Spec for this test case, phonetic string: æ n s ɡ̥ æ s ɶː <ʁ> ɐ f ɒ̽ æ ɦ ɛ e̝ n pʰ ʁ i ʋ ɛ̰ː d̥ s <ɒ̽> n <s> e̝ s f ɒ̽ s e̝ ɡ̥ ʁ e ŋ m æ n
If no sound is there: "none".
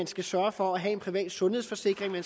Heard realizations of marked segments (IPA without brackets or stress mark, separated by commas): none, ɔ̽, h